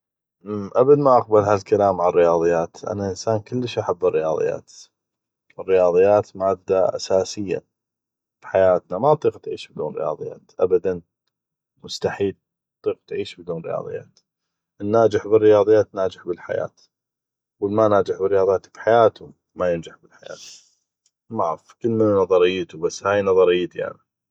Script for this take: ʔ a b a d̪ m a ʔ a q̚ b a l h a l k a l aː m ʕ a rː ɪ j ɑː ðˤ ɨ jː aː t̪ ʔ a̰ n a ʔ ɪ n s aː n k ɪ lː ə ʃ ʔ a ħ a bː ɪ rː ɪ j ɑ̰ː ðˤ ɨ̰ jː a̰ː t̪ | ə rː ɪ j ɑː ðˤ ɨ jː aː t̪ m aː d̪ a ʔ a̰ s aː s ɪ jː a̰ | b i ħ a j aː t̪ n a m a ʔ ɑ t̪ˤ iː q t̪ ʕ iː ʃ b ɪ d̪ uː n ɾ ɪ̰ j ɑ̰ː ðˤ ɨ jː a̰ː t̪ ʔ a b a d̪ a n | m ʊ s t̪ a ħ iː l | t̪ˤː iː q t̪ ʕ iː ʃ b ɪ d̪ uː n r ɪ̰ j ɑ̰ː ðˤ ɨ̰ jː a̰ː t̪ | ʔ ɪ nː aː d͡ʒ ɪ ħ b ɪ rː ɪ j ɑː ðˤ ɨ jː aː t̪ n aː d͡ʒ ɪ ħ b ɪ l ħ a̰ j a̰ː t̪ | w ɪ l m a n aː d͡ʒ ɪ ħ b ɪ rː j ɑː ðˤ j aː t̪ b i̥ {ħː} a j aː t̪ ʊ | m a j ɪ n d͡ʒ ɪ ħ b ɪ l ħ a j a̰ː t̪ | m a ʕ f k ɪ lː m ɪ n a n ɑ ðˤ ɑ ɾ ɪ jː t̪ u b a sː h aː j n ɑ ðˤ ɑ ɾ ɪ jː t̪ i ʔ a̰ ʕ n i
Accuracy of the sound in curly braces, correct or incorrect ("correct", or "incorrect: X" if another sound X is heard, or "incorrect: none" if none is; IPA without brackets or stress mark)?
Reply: incorrect: ħ